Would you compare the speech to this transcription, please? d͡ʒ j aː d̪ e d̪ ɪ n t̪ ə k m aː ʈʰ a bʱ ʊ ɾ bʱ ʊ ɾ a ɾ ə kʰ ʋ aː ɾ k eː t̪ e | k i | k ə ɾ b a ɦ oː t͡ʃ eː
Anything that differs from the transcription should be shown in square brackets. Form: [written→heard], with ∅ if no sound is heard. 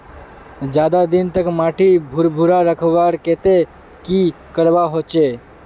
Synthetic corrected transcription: d͡ʒ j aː d̪ [e→a] d̪ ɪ n t̪ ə k m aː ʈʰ [a→i] bʱ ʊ ɾ bʱ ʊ ɾ a ɾ ə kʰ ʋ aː ɾ k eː t̪ e | k i | k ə ɾ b a ɦ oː t͡ʃ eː